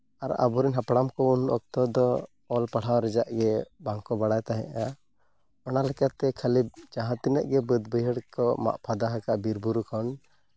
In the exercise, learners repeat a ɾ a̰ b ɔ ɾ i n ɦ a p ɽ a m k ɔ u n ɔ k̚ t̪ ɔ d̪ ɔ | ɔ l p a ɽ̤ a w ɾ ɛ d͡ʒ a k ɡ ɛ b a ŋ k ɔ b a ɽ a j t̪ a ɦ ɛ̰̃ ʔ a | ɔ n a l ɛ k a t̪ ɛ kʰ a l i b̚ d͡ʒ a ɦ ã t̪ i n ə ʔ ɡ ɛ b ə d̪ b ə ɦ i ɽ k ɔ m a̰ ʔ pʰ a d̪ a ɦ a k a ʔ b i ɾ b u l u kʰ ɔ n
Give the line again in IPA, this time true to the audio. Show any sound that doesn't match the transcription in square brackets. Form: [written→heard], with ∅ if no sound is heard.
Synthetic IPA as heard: a ɾ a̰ b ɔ ɾ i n ɦ a p ɽ a m k ɔ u n ɔ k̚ t̪ ɔ d̪ ɔ | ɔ l p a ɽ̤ a w ɾ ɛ d͡ʒ a [k→ʔ] ɡ ɛ b a ŋ k ɔ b a ɽ a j t̪ a ɦ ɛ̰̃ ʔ a | ɔ n a l ɛ k a t̪ ɛ kʰ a l i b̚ d͡ʒ a ɦ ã t̪ i n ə ʔ ɡ ɛ b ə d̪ b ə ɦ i ɽ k ɔ m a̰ ʔ pʰ a d̪ a ɦ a k a ʔ b i ɾ b u [l→ɾ] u kʰ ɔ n